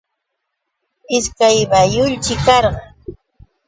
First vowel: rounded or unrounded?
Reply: unrounded